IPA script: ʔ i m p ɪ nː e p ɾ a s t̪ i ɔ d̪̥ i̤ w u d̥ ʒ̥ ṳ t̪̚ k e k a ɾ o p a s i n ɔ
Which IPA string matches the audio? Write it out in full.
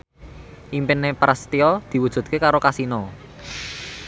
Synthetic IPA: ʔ i m p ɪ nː e p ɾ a s t̪ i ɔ d̪̥ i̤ w u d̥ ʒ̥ ṳ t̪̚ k e k a ɾ o k a s i n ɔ